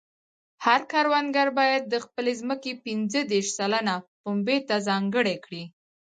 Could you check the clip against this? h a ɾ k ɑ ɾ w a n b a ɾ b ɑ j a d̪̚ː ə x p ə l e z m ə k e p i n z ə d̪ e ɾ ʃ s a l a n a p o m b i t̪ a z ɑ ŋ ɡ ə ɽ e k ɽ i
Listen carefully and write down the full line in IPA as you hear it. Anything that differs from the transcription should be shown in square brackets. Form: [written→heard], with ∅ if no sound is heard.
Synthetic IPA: h a ɾ k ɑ ɾ w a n [b→ɡ] a ɾ b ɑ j a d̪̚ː ə x p ə l e z m ə k e p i n z ə d̪ e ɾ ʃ s a l a n a p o m b [i→e] t̪ a z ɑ ŋ ɡ ə ɽ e k ɽ i